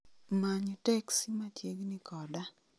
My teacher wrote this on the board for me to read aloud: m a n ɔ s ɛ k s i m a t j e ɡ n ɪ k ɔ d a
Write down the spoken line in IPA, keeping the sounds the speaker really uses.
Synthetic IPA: m a ɲ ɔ t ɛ k s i m a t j e ɡ n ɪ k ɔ d a